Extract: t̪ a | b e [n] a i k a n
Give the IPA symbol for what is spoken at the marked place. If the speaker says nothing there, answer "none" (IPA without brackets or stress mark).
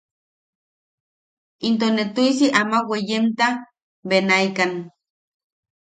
n